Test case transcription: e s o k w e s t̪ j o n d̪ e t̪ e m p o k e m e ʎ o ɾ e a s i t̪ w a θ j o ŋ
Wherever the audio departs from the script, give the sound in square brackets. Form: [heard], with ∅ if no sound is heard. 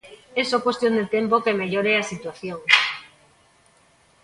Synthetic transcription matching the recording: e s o k w e s t̪ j o n d̪ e t̪ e m p o k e m e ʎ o ɾ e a s i t̪ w a θ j o ŋ